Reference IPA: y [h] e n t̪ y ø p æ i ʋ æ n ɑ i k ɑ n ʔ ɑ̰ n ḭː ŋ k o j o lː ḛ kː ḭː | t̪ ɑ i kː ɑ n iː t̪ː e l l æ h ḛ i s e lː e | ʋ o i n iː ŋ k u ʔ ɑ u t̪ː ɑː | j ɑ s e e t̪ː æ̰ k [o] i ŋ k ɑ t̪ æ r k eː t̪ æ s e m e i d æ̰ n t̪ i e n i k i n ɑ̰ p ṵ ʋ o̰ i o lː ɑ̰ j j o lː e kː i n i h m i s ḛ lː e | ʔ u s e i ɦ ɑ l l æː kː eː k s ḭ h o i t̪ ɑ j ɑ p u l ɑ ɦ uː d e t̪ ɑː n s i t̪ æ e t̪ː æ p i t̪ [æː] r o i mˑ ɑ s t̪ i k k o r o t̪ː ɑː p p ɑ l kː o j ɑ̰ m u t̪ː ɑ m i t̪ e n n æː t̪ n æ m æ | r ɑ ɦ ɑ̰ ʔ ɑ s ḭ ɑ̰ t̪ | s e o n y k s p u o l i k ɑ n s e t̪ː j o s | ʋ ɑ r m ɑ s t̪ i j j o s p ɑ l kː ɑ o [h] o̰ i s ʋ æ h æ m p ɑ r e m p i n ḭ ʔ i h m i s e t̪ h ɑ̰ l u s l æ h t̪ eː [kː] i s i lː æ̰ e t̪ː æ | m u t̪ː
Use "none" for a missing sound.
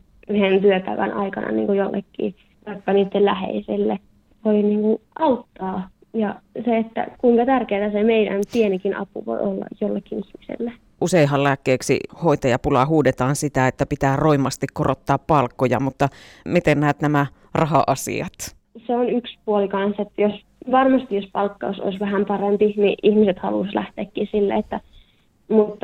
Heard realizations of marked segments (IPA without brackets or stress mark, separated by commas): h, u, æː, s, kː